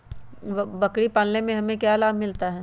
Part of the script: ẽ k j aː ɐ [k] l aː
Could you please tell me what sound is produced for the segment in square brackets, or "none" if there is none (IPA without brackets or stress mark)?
none